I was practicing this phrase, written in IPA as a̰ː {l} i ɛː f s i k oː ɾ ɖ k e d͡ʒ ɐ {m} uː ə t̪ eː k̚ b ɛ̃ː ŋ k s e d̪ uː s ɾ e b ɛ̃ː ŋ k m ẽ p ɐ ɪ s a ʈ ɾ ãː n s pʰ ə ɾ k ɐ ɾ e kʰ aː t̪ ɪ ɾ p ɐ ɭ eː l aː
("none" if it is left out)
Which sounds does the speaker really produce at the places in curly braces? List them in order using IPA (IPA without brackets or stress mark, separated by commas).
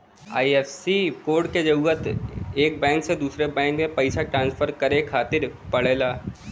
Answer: none, none